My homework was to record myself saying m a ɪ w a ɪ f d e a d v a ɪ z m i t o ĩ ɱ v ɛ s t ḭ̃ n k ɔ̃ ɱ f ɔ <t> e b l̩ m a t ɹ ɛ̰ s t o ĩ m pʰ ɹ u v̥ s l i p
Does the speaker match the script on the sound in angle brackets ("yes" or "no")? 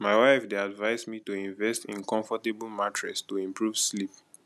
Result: yes